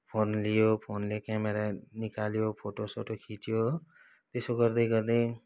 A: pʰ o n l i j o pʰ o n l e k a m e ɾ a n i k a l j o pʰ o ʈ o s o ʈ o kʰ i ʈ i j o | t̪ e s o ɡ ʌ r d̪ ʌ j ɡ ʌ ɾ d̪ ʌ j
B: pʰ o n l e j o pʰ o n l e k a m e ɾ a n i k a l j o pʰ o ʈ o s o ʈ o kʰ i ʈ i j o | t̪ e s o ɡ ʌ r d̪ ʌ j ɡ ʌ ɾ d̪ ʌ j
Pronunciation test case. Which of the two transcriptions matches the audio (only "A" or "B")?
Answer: A